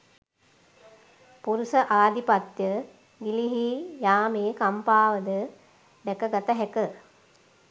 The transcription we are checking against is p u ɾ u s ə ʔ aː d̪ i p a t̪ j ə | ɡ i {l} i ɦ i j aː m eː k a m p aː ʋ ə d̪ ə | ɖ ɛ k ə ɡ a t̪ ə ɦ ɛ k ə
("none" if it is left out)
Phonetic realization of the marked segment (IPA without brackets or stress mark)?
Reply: l